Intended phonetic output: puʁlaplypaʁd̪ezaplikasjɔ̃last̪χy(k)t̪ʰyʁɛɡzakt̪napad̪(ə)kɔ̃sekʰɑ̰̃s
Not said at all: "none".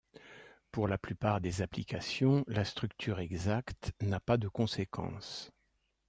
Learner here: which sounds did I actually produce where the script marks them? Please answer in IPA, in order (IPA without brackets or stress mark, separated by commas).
k, ə